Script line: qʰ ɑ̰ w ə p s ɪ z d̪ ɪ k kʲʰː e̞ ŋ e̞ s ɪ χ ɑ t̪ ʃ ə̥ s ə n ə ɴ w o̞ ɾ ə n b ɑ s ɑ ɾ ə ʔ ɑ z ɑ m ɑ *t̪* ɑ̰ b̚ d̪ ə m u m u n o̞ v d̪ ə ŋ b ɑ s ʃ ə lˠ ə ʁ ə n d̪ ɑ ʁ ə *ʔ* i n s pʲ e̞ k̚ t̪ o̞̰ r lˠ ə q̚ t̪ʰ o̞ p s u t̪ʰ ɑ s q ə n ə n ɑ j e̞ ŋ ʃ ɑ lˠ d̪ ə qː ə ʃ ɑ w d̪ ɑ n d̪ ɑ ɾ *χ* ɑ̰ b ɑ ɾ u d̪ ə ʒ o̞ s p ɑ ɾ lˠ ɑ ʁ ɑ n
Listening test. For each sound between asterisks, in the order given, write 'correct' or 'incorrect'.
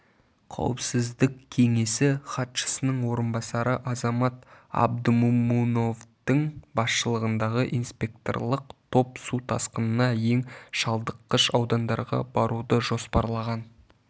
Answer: correct, correct, incorrect

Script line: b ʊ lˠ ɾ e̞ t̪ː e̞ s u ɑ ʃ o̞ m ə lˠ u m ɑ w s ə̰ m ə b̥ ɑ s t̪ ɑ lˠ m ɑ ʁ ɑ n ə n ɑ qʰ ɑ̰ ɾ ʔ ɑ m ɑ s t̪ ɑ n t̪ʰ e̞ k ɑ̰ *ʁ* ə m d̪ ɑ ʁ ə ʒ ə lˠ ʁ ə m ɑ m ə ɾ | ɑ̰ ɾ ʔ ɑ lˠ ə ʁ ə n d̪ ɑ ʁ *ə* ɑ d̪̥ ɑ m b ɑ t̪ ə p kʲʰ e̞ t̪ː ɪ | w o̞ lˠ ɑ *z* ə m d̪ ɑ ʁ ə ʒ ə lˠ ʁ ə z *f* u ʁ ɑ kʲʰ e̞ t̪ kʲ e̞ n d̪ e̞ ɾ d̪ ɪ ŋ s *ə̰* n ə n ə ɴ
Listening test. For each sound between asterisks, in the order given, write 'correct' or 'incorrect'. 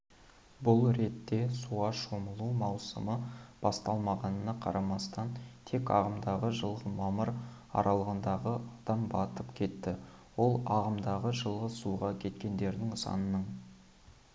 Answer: correct, correct, incorrect, incorrect, incorrect

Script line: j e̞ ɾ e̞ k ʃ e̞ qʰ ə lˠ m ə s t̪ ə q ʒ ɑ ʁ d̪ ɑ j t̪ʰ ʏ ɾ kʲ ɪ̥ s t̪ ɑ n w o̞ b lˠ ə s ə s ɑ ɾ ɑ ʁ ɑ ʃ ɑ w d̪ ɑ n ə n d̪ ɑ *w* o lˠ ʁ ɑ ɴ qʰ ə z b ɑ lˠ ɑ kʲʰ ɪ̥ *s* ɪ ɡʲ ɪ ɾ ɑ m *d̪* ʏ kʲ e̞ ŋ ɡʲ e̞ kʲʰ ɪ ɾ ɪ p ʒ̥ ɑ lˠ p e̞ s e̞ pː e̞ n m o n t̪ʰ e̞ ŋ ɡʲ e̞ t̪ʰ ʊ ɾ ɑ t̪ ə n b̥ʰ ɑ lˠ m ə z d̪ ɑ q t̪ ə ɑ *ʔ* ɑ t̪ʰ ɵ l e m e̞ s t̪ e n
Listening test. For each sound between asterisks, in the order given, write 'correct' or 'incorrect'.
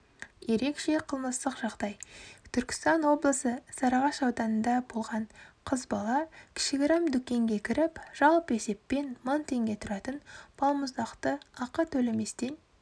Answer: incorrect, incorrect, correct, incorrect

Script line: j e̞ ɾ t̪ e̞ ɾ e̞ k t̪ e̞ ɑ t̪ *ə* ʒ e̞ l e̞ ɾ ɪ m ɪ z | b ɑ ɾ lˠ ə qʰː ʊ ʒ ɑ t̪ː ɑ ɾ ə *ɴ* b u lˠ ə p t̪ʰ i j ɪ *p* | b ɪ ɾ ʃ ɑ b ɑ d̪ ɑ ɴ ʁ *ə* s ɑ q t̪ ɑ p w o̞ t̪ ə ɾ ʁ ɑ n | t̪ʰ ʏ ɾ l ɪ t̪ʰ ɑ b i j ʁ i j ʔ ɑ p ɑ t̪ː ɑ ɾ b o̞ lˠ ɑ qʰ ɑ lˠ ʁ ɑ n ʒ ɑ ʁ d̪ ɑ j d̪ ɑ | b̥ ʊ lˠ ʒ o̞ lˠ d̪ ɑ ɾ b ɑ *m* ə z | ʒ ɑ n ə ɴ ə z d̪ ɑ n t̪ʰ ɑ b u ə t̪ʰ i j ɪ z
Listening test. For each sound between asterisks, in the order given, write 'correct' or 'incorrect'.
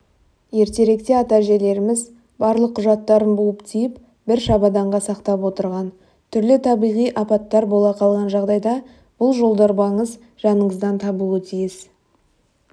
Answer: incorrect, incorrect, correct, incorrect, incorrect

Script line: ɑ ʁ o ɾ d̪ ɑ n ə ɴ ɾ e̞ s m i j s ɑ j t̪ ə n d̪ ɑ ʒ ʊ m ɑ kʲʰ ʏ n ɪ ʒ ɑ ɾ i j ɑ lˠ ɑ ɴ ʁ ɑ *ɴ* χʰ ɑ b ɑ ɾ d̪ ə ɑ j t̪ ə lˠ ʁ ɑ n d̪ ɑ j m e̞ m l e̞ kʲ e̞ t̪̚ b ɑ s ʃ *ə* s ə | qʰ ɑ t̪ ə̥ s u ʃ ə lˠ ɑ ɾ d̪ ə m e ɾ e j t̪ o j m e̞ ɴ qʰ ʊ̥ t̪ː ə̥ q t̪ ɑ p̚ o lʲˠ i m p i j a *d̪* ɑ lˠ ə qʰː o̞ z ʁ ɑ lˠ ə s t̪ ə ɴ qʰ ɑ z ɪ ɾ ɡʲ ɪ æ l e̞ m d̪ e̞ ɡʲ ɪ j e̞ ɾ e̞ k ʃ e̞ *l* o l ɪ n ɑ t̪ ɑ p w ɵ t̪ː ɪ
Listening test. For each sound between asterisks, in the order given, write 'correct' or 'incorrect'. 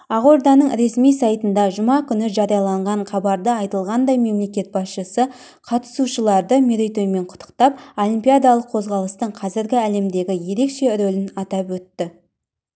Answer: correct, correct, correct, incorrect

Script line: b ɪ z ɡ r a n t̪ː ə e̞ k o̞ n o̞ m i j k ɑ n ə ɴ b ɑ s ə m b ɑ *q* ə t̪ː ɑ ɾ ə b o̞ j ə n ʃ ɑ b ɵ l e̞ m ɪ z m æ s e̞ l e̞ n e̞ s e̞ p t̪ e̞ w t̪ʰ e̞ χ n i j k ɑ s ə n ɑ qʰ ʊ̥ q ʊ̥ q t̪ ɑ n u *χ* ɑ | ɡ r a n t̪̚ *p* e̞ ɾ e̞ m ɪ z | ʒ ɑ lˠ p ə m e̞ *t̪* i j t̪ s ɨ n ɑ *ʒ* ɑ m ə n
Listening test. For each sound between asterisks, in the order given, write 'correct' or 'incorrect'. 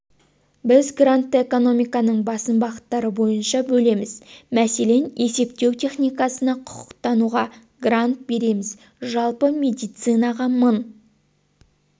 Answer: correct, incorrect, incorrect, incorrect, incorrect

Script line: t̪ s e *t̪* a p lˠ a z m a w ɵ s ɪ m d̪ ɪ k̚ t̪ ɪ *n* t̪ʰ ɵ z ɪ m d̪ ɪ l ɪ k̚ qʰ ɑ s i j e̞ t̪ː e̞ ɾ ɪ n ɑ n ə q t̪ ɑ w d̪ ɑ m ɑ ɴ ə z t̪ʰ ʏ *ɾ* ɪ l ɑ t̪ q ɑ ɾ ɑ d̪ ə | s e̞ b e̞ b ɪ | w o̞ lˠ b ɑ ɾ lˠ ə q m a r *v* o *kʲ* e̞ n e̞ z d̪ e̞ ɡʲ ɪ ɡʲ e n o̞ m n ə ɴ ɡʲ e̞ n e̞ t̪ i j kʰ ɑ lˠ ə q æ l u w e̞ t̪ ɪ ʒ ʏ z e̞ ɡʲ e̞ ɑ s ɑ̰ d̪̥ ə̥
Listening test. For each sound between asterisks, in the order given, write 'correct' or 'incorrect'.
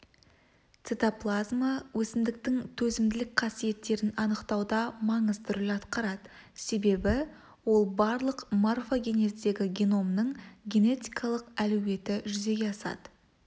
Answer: correct, incorrect, correct, incorrect, incorrect

